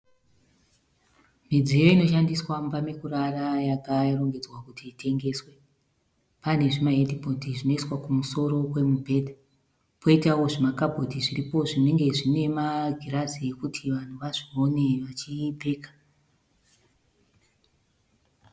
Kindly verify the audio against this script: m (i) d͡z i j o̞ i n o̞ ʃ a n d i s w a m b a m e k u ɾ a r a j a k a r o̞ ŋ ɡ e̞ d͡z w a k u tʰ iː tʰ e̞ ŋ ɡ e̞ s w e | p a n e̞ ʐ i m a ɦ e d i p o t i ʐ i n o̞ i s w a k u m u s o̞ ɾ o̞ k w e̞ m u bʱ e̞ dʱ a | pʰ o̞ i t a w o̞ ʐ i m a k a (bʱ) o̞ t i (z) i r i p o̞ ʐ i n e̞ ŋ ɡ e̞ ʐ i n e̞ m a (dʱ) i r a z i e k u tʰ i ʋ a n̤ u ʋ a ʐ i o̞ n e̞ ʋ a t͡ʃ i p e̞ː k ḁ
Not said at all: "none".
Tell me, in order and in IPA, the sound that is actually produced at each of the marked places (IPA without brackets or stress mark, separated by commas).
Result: i, bʱ, ʐ, ɡʱ